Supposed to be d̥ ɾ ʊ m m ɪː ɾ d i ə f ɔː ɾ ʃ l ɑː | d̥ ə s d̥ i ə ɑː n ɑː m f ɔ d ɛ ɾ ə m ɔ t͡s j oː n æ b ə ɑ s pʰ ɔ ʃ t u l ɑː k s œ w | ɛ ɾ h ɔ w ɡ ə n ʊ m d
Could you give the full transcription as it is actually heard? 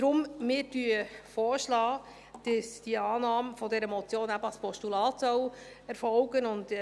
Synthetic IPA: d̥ ɾ ʊ m m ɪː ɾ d y ə f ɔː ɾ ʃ l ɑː | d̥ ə s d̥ i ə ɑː n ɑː m f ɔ d ɛ ɾ ə m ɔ t͡s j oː n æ b ə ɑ s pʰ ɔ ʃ t u l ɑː t s œ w | ɛ ɾ f ɔ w ɡ ə n ʊ n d